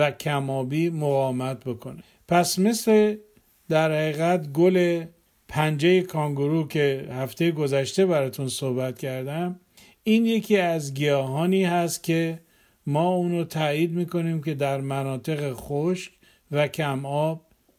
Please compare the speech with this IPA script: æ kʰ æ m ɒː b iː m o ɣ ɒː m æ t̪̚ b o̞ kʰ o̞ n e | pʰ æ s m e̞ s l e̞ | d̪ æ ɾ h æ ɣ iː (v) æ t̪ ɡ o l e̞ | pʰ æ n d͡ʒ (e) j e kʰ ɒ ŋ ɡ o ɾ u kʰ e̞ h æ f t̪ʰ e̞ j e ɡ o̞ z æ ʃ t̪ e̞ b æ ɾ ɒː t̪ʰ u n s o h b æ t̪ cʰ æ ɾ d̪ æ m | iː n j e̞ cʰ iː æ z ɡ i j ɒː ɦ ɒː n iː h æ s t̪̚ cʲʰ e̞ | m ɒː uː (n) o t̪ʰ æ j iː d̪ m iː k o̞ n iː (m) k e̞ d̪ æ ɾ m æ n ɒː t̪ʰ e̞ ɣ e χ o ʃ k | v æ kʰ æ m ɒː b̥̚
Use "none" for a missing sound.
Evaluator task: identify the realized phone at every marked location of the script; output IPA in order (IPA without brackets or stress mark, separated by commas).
ɣ, e, n, m